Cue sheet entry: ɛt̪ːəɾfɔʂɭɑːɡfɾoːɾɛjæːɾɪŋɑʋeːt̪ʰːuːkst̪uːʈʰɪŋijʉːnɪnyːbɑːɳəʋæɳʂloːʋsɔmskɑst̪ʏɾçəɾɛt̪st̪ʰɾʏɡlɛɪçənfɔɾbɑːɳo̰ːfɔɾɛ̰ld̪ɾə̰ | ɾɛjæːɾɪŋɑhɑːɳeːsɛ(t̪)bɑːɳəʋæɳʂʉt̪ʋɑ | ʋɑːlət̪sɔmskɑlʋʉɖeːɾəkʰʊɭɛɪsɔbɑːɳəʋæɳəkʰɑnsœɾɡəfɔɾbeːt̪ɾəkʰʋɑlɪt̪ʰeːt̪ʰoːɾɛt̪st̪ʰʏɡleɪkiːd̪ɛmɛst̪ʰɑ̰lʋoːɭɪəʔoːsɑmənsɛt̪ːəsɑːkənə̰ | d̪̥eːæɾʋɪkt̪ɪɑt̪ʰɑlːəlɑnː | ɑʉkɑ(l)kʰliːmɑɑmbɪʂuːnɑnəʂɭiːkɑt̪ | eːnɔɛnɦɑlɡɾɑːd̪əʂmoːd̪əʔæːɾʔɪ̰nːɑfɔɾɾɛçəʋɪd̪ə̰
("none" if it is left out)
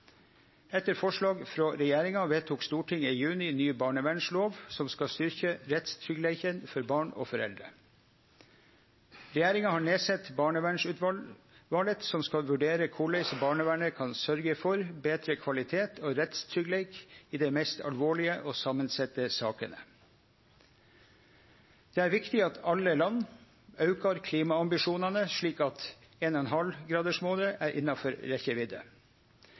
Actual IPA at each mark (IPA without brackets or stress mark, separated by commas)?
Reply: t̪, ɾ